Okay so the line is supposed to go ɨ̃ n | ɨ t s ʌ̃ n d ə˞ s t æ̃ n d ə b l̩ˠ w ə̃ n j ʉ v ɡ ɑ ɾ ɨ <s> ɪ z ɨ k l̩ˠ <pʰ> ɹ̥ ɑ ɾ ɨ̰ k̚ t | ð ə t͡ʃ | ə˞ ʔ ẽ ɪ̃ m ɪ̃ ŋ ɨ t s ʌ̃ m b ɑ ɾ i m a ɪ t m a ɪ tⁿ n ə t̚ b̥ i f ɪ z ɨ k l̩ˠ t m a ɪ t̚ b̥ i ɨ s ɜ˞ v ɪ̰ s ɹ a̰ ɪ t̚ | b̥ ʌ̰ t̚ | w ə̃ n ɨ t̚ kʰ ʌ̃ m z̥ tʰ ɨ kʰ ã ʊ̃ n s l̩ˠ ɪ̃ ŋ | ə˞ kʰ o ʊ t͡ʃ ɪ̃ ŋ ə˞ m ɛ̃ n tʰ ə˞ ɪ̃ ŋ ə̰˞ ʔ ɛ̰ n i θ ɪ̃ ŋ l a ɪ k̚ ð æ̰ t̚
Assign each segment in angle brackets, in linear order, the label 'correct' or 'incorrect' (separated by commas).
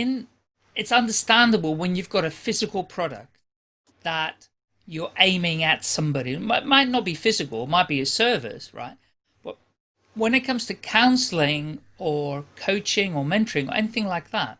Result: incorrect, correct